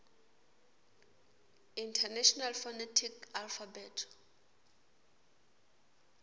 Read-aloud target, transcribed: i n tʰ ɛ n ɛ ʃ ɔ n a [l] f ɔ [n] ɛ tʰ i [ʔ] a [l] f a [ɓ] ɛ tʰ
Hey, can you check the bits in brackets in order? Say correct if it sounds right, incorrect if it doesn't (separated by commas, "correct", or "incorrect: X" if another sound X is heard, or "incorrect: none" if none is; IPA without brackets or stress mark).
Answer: correct, correct, incorrect: k, correct, incorrect: b